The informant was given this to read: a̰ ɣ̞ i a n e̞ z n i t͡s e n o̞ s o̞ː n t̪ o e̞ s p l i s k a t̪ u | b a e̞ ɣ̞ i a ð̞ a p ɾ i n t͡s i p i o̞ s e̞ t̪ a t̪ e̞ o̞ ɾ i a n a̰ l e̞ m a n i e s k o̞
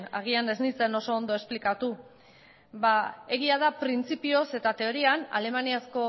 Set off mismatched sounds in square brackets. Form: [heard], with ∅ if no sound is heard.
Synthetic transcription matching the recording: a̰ ɣ̞ i a n e̞ z n i t͡s e n o̞ s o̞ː n [d̪] o e̞ s p l i [∅] k a t̪ u | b a e̞ ɣ̞ i a ð̞ a p ɾ i n t͡s i p i o̞ s e̞ t̪ a t̪ e̞ o̞ ɾ i a n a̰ l e̞ m a n i [a] s k o̞